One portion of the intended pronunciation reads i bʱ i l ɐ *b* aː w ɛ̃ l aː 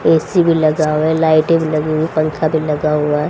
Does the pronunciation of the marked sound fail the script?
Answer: yes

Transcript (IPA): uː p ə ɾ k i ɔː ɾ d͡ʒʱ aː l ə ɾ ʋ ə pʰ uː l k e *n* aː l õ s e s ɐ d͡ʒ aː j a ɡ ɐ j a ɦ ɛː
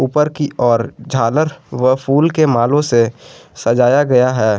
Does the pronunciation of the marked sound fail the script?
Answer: yes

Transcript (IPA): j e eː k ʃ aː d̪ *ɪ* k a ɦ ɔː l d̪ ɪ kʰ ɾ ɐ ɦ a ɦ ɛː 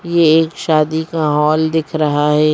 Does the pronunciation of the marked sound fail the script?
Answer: yes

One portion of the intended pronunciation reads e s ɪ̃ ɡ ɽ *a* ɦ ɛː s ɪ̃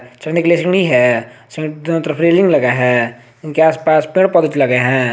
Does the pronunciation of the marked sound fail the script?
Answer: yes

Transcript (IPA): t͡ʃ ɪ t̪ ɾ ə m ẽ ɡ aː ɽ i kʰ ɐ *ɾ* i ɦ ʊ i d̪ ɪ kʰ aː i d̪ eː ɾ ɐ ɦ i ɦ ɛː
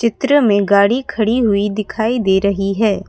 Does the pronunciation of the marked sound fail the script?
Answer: yes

